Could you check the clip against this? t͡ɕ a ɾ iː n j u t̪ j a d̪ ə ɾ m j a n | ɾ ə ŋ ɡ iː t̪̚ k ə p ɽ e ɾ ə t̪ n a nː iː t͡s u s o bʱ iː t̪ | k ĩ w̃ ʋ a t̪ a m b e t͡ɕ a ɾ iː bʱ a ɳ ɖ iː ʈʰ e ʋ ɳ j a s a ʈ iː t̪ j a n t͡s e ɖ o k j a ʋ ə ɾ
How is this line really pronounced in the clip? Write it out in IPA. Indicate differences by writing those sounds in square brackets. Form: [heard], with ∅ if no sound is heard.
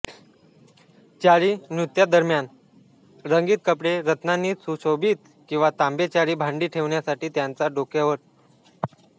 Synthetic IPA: t͡ɕ a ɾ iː n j u t̪ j a d̪ ə ɾ m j a n | ɾ ə ŋ ɡ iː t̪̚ k ə p ɽ e ɾ ə t̪ n a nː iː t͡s u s o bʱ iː t̪ | k ĩ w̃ ʋ a t̪ a m b e t͡ɕ a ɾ iː bʱ a ɳ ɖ iː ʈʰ e ʋ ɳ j a s a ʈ iː t̪ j a n t͡s [a] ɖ o k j a ʋ ə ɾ

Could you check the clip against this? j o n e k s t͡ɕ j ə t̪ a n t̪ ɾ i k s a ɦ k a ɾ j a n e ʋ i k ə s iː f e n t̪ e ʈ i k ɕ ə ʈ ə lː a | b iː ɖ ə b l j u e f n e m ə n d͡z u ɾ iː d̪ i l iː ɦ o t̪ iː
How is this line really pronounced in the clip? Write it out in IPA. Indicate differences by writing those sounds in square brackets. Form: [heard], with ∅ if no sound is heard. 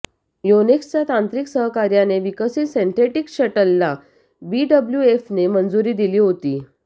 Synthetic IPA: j o n e k s t͡ɕ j [a] t̪ a n t̪ ɾ i k s [ə] ɦ k a ɾ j a n e ʋ i k ə s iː [s] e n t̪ e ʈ i k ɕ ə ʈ ə lː a | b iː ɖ ə b l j u e f n e m ə n d͡z u ɾ iː d̪ i l iː ɦ o t̪ iː

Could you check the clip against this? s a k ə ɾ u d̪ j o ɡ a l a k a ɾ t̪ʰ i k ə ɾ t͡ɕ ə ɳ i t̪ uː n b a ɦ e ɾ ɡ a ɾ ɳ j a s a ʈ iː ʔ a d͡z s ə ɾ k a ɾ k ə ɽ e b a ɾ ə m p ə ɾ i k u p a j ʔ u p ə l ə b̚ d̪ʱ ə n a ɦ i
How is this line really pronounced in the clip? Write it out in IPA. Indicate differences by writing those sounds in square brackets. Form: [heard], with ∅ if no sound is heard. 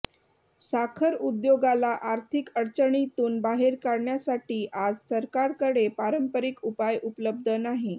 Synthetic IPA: s a [kʰ] ə ɾ u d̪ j o ɡ a l a [ʔ] a ɾ t̪ʰ i k ə ɾ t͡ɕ ə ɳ i t̪ uː n b a ɦ e ɾ [k] a ɾ ɳ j a s a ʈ iː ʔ a d͡z s ə ɾ k a ɾ k ə ɽ e [p] a ɾ ə m p ə ɾ i k u p a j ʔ u p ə l ə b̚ d̪ʱ ə n a ɦ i

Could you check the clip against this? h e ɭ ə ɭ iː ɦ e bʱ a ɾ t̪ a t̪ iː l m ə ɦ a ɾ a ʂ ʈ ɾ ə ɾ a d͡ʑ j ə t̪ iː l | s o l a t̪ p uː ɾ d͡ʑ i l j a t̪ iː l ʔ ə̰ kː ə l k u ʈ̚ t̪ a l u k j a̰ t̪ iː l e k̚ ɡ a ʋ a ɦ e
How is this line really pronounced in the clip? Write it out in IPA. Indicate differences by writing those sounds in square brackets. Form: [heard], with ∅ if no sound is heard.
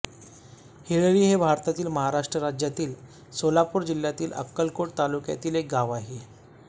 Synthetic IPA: h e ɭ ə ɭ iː ɦ e bʱ a ɾ t̪ a t̪ iː l m ə ɦ a ɾ a ʂ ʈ ɾ ə ɾ a d͡ʑ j [a] t̪ iː l | s o l a [∅] p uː ɾ d͡ʑ i l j a t̪ iː l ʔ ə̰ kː ə l k [o] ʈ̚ t̪ a l u k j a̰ t̪ iː l e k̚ ɡ a ʋ a ɦ e

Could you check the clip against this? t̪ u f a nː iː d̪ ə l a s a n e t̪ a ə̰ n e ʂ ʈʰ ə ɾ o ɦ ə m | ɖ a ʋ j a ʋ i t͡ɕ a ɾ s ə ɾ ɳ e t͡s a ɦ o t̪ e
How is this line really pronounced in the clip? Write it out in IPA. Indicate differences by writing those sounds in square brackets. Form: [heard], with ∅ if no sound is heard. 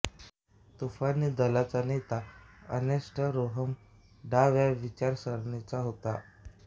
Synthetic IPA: t̪ u f a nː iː d̪ ə l a [t͡s] a n e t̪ a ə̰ n e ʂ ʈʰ ə ɾ o ɦ ə m | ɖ a ʋ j a ʋ i t͡ɕ a ɾ s ə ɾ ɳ e t͡s a ɦ o t̪ [a]

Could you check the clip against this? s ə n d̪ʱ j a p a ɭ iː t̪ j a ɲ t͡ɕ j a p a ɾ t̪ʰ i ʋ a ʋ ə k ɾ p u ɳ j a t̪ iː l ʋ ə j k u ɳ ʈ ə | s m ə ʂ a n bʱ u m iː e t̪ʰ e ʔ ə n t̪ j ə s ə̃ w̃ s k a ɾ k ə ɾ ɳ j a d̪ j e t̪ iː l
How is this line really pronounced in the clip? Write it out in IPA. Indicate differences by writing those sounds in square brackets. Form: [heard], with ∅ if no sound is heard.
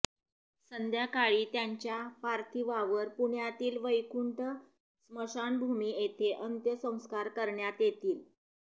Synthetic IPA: s ə n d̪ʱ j a [k] a ɭ iː t̪ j a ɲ t͡ɕ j a p a ɾ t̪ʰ i ʋ a ʋ ə [∅] ɾ p u ɳ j a t̪ iː l ʋ ə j k u ɳ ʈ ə | s m ə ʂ a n bʱ u m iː e t̪ʰ e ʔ ə n t̪ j ə s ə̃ w̃ s k a ɾ k ə ɾ ɳ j a [t̪] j e t̪ iː l

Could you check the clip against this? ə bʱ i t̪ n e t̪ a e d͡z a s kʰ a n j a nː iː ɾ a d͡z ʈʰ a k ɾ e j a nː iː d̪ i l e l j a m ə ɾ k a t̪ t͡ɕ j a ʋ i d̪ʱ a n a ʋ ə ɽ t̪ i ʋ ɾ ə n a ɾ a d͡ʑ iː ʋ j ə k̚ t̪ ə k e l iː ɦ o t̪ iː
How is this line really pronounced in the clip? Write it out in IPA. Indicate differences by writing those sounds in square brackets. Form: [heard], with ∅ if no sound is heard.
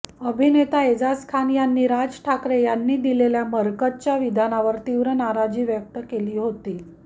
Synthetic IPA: ə bʱ i [∅] n e t̪ a e d͡z a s kʰ a n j a nː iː ɾ a d͡z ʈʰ a k ɾ e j a nː iː d̪ i l e l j a m ə ɾ k [ə] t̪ t͡ɕ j a ʋ i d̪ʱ a n a ʋ ə [ɾ] t̪ i ʋ ɾ ə n a ɾ a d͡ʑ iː ʋ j ə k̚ t̪ ə k e l iː ɦ o t̪ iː

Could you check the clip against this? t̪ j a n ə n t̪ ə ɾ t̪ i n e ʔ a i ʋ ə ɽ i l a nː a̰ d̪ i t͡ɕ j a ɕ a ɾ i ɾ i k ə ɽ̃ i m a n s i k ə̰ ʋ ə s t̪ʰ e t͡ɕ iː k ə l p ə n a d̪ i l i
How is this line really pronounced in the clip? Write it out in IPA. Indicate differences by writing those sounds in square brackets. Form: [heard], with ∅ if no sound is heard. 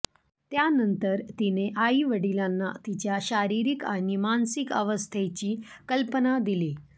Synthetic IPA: t̪ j a n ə n t̪ ə ɾ t̪ i n e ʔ a i ʋ ə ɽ i l a nː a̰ [t̪] i t͡ɕ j a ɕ a ɾ i ɾ i k [a] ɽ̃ i m a n s i k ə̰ ʋ ə s t̪ʰ e t͡ɕ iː k ə l p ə n a d̪ i l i

